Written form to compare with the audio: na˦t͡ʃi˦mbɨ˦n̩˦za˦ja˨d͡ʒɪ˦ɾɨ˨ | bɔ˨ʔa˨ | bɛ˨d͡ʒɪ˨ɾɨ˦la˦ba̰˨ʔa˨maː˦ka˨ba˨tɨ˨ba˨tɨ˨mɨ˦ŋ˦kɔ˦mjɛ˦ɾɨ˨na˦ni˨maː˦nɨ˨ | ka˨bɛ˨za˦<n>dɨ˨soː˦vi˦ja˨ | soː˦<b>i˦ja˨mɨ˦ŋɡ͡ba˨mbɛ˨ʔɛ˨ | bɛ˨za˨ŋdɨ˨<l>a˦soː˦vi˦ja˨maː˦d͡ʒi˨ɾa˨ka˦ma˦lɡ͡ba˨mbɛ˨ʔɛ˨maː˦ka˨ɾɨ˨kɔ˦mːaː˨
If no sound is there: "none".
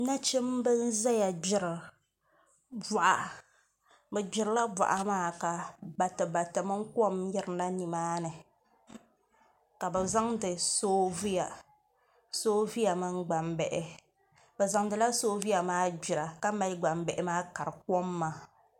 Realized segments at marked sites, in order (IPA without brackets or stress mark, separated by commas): ŋ, v, l